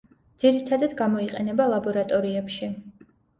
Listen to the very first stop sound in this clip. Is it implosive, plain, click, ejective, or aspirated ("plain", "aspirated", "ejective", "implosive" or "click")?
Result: plain